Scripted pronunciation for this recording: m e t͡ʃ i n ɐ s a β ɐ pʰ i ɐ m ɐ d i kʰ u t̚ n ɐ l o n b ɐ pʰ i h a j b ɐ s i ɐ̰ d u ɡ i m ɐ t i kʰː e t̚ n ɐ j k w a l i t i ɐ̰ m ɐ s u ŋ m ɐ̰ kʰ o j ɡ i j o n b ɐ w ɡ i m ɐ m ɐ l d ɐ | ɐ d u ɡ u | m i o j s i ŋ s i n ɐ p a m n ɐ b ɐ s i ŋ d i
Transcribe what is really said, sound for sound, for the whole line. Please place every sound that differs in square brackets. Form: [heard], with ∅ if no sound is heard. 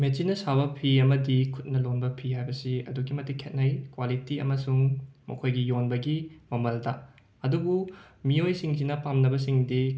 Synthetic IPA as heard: m e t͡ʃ i n ɐ s a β ɐ pʰ i ɐ m ɐ d i kʰ u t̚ n ɐ l o n b ɐ pʰ i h a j b ɐ s i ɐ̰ d u ɡ i m ɐ t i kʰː e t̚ n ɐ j k w a l i t i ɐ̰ m ɐ s u ŋ m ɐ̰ kʰ o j ɡ i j o n b ɐ [∅] ɡ i m ɐ m ɐ l d ɐ | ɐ d u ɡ u | m i o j s i ŋ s i n ɐ p a m n ɐ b ɐ s i ŋ d i